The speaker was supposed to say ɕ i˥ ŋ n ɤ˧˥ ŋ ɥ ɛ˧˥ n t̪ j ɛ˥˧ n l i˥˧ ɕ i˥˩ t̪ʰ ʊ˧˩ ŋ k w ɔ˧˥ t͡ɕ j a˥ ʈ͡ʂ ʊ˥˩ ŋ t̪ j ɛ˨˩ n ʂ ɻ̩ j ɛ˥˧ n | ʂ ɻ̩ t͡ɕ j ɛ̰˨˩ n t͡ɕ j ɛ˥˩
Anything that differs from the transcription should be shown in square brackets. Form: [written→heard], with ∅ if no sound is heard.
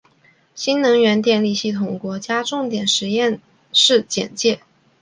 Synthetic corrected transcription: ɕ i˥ [ŋ→n] n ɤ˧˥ ŋ ɥ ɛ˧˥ n t̪ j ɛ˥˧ n l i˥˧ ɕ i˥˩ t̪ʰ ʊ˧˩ ŋ k w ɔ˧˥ t͡ɕ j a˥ ʈ͡ʂ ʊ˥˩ ŋ t̪ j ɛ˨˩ n ʂ ɻ̩ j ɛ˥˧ n | ʂ ɻ̩ t͡ɕ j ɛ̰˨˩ n t͡ɕ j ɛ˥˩